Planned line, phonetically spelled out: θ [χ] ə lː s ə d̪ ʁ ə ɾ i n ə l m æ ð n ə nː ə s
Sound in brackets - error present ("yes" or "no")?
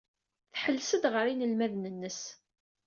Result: yes